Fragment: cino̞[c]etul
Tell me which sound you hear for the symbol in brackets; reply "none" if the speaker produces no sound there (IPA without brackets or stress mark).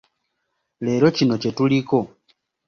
c